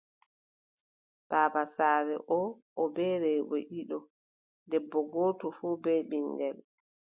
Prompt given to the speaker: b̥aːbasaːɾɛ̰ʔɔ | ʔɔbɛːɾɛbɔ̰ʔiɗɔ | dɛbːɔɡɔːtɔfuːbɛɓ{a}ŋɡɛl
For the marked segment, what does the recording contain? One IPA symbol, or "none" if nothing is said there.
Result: i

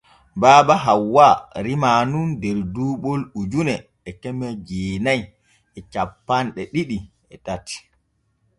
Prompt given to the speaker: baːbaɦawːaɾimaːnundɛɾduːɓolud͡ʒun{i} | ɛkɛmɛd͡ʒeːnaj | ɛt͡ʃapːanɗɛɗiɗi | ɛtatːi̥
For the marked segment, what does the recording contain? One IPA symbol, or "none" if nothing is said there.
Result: ɛ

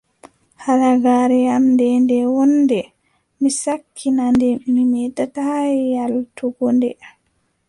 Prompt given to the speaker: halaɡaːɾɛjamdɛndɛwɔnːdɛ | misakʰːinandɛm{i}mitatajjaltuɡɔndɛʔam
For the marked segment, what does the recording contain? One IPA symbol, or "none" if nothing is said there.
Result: i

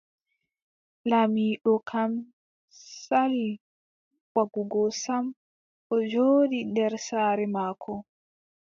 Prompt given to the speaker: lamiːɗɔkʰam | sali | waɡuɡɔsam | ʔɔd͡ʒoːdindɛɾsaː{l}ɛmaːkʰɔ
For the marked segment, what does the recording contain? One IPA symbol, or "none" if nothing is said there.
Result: ɾ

